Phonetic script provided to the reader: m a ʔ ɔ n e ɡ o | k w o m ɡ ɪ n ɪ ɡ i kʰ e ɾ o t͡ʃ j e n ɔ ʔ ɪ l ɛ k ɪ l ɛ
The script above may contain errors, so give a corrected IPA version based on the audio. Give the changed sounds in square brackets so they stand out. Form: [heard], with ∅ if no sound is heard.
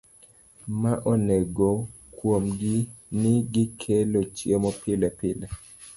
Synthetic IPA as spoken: m a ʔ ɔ n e ɡ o | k w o m ɡ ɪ n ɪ ɡ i kʰ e [l] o t͡ʃ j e [m] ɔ [p] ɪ l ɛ [p] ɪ l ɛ